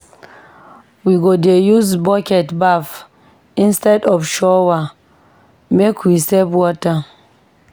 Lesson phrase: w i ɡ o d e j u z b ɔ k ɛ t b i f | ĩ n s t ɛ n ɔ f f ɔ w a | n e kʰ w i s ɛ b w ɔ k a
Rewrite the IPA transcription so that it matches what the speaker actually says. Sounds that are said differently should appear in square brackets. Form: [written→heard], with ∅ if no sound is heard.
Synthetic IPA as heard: w i ɡ o d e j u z b ɔ k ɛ t b [i→a] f | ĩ n s t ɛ [n→d] ɔ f [f→ʃ] ɔ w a | [n→m] e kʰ w i s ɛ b w ɔ [k→t] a